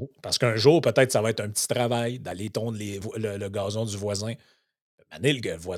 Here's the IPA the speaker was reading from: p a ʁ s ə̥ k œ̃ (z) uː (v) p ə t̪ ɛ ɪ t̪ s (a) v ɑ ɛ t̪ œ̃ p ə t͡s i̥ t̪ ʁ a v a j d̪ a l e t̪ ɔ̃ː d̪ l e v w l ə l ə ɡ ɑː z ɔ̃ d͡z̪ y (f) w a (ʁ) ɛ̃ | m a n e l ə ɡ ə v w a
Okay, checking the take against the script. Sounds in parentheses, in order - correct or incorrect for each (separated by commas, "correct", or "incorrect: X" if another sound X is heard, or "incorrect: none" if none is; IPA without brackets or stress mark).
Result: incorrect: ʒ, incorrect: ʁ, correct, incorrect: v, incorrect: z